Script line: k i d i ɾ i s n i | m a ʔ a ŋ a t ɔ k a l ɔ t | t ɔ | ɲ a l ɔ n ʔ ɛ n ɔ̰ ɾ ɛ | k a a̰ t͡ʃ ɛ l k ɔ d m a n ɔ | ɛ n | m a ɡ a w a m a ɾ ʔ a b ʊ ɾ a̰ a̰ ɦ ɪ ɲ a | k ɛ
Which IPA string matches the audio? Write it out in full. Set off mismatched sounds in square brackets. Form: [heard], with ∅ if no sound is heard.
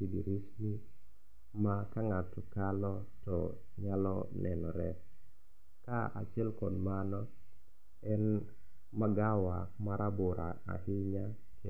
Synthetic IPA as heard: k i d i ɾ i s n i | m a [k] a ŋ a t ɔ k a l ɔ [∅] | t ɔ | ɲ a l ɔ n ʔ ɛ n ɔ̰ ɾ ɛ | k a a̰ t͡ʃ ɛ l k ɔ d m a n ɔ | ɛ n | m a ɡ a w a m a ɾ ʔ a b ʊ ɾ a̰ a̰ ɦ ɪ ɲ a | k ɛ